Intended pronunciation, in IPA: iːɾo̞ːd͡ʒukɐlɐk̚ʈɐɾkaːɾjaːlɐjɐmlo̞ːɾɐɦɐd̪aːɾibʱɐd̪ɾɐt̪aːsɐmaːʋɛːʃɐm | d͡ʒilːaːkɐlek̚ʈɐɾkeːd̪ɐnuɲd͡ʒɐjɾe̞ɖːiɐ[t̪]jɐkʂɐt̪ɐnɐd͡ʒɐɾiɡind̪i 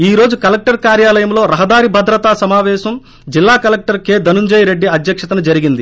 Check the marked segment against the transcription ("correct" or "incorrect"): incorrect